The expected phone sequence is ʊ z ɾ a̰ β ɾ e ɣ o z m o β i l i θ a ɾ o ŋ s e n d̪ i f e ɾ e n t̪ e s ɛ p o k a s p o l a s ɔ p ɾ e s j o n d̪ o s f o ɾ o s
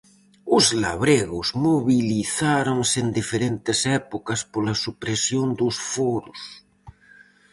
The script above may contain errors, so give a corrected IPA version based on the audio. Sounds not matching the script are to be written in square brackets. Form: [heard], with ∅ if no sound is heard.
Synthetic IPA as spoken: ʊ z [l] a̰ β ɾ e ɣ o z m o β i l i θ a ɾ o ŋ s e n d̪ i f e ɾ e n t̪ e s ɛ p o k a s p o l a s [u] p ɾ e s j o n d̪ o s f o ɾ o s